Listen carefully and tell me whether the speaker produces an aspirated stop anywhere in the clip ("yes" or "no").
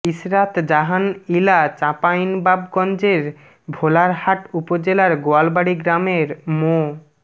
no